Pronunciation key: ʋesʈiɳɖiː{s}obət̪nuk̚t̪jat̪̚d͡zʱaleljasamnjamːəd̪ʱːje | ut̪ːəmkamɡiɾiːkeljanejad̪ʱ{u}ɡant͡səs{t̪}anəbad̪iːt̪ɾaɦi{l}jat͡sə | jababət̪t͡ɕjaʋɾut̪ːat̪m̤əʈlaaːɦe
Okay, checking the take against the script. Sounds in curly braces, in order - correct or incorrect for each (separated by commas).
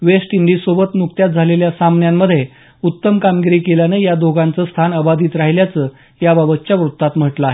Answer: correct, incorrect, incorrect, correct